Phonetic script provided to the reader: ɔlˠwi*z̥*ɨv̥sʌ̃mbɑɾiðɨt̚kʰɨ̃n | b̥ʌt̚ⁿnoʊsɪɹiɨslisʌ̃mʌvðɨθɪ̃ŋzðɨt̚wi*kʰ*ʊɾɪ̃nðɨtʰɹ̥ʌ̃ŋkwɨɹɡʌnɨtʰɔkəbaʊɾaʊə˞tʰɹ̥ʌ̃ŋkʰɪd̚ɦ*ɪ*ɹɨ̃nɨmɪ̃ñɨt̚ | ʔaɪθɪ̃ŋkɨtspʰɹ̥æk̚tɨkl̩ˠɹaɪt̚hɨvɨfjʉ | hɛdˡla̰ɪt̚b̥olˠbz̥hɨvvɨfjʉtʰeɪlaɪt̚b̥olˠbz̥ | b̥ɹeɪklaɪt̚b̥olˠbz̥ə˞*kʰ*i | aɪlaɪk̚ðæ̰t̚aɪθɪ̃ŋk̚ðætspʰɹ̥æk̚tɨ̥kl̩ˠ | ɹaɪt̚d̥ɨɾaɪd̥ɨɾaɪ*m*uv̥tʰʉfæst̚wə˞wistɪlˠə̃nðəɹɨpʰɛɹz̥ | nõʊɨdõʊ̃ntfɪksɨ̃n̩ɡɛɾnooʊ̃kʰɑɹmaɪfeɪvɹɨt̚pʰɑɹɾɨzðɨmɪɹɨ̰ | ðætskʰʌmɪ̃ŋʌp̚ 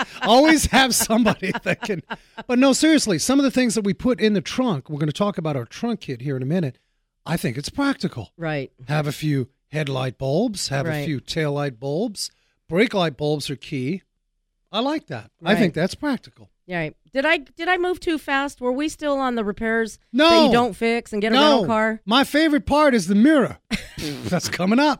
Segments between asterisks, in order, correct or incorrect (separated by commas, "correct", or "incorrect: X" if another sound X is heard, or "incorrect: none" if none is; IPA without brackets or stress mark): correct, incorrect: pʰ, incorrect: i, correct, correct